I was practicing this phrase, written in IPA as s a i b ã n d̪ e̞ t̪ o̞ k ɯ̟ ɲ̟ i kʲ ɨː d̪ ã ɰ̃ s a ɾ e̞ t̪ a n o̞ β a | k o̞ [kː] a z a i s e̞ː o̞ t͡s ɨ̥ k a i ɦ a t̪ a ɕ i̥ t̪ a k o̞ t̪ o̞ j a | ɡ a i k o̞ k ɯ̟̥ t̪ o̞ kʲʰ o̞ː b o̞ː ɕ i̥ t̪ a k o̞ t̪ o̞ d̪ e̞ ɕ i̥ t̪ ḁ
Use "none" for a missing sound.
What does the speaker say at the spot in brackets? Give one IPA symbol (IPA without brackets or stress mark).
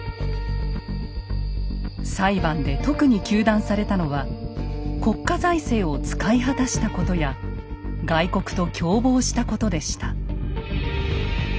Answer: kː